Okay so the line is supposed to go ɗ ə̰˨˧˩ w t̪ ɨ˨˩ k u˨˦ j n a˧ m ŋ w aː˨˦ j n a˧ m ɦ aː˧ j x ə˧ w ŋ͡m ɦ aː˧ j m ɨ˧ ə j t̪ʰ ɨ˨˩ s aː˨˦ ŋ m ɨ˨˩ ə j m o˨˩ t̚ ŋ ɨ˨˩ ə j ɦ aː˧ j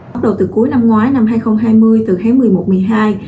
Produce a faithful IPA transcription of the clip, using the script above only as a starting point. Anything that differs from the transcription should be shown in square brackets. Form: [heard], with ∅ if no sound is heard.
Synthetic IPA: ɗ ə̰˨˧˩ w t̪ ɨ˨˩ k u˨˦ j n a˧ m ŋ w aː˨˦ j n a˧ m ɦ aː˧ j x ə˧ w ŋ͡m ɦ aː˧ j m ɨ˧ ə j [t̪] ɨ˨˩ [x] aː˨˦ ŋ m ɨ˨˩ ə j m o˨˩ t̚ [m] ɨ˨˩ ə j ɦ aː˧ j